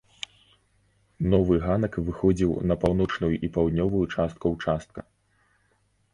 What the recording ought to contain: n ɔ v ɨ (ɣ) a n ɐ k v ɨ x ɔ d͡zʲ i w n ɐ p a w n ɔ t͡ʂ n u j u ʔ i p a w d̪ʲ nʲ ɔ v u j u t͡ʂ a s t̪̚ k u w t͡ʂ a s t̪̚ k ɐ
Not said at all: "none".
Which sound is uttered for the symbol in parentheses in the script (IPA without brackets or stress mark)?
ɣ